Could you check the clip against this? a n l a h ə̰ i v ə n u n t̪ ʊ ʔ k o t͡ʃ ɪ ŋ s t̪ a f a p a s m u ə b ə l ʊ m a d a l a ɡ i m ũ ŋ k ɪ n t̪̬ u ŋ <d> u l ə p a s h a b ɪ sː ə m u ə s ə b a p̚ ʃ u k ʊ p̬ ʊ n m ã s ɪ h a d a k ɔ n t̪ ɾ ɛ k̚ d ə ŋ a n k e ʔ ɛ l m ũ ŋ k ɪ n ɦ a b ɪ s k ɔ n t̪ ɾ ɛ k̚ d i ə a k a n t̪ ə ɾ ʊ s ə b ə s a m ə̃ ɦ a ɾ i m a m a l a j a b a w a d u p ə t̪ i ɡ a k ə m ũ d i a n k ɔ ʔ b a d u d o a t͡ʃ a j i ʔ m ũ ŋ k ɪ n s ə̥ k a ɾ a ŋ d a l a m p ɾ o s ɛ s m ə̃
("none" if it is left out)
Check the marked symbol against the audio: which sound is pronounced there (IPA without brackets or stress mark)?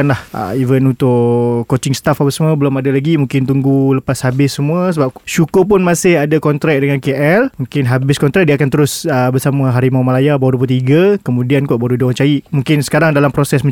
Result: ɡ